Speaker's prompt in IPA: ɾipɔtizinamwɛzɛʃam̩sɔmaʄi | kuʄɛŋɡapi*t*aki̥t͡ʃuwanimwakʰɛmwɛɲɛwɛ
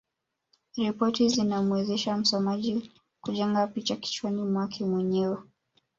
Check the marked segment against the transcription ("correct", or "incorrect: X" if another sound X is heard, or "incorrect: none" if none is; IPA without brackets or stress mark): incorrect: t͡ʃ